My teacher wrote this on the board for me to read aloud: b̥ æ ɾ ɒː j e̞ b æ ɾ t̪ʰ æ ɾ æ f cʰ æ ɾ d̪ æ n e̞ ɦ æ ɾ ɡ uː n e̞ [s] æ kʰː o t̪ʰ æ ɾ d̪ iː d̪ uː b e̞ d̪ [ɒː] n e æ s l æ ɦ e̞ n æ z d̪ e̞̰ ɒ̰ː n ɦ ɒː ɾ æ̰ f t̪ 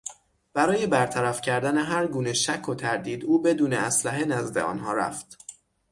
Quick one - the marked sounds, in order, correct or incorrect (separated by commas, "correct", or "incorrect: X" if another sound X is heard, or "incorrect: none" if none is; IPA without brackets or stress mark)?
incorrect: ʃ, incorrect: uː